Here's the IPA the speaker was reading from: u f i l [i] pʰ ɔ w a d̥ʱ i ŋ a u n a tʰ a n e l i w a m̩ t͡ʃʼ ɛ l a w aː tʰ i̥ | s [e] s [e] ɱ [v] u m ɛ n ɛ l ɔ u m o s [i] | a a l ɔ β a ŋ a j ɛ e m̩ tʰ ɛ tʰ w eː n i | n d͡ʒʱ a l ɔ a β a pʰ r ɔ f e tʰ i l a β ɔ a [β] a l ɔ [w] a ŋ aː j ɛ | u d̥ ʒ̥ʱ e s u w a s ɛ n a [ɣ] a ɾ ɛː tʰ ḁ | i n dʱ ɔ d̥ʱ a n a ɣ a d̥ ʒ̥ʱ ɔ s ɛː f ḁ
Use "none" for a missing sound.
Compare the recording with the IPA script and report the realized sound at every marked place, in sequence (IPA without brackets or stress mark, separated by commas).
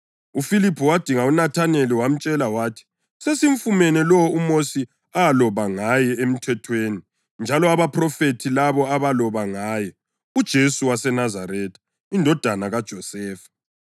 i, e, i, f, i, β, β, z